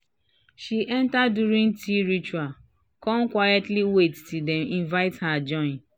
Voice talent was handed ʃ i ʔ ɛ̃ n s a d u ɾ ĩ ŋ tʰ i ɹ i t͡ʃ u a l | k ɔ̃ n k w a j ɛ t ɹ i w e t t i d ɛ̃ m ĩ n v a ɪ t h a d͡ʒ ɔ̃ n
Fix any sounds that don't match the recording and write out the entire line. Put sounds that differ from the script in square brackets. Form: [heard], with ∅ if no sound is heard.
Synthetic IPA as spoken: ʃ i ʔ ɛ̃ n [t] a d u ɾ ĩ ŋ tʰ i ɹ i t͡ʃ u a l | k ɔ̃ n k w a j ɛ t [l] i w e t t i d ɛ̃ m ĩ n v a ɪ t h a d͡ʒ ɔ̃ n